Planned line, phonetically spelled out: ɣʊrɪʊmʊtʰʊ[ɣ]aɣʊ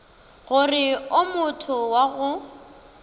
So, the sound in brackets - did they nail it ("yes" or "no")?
no